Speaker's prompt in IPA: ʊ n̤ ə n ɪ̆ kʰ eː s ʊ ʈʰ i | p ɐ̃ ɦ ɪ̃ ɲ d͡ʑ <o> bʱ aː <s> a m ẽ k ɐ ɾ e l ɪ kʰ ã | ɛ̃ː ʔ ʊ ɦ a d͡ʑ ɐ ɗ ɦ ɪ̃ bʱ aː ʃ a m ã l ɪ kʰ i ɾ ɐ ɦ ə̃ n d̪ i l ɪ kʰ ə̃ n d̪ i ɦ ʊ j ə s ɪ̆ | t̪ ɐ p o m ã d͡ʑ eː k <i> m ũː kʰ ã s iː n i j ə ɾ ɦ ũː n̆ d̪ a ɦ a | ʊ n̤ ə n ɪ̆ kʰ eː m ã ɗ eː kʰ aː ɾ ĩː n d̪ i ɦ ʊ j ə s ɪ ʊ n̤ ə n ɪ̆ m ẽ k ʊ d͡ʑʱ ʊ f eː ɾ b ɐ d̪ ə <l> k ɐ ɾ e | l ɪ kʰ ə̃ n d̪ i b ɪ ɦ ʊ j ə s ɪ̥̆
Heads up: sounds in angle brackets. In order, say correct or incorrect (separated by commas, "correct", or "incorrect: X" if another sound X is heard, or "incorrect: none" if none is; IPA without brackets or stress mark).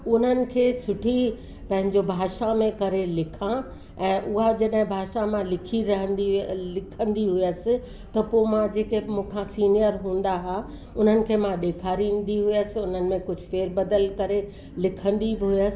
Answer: correct, incorrect: ʃ, incorrect: e, correct